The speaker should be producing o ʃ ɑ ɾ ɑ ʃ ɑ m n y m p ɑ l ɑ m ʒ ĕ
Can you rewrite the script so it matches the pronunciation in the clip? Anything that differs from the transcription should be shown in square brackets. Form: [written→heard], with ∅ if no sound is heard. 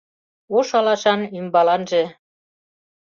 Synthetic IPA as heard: o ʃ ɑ [ɾ→l] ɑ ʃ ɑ [m→∅] n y m [p→b] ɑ l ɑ [m→n] ʒ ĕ